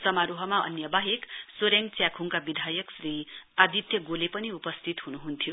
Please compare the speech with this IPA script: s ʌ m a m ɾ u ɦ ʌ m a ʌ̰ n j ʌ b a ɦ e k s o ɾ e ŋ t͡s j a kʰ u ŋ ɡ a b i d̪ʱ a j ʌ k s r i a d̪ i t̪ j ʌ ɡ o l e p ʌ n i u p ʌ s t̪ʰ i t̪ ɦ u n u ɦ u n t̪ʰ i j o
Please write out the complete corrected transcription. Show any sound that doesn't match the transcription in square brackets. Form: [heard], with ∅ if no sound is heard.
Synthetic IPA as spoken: s ʌ m a [∅] ɾ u ɦ ʌ m a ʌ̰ n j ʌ b a ɦ e k s o ɾ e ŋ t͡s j a kʰ u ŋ [k] a b i d̪ʱ a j ʌ k s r i a d̪ i t̪ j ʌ ɡ o l e p ʌ n i u p ʌ s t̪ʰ i t̪ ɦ u n u ɦ u n t̪ʰ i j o